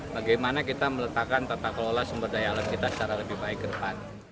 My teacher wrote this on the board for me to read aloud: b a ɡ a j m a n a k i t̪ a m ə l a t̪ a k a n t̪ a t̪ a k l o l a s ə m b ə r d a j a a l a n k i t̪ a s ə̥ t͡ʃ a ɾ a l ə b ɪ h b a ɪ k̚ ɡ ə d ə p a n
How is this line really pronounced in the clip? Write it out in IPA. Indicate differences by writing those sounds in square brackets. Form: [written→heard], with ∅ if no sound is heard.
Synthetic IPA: b a ɡ a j m a n a k i t̪ a m ə l [a→ə] t̪ a k a n t̪ a t̪ a k l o l a s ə m b ə r d a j a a l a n k i t̪ a s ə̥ t͡ʃ a ɾ a l ə b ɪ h b a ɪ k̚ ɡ ə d ə p a n